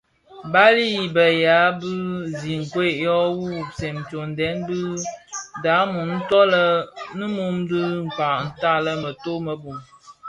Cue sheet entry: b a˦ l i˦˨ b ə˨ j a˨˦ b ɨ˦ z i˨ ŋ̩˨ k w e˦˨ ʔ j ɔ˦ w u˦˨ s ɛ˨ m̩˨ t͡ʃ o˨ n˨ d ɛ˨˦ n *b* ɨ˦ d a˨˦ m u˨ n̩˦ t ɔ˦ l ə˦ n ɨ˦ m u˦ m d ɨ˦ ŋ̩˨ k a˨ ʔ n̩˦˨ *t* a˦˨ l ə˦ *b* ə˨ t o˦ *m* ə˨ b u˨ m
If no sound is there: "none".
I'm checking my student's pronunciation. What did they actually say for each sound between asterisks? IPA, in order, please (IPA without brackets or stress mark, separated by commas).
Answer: b, t, m, m